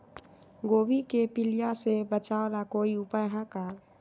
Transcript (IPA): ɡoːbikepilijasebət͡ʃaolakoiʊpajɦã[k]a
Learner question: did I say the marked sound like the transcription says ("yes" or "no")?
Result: yes